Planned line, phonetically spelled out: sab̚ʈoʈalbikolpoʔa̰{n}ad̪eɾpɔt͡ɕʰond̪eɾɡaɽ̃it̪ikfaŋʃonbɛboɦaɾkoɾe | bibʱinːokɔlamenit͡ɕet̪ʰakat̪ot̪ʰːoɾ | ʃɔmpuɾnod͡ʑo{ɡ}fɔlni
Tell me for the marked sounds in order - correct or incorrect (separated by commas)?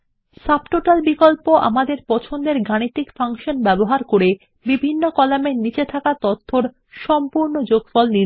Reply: incorrect, correct